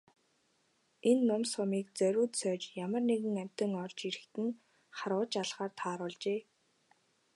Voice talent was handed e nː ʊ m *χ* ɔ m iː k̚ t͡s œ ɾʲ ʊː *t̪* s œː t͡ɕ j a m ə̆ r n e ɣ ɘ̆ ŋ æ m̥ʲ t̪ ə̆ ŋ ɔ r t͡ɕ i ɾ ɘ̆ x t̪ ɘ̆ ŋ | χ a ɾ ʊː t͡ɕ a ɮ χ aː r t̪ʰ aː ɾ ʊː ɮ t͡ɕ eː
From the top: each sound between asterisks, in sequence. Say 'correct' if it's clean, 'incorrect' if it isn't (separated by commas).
incorrect, correct